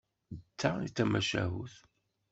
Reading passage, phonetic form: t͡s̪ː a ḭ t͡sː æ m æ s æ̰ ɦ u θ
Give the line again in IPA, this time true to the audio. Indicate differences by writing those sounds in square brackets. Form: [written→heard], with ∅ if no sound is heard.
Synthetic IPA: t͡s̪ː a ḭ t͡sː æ m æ [s→ʃ] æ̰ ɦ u θ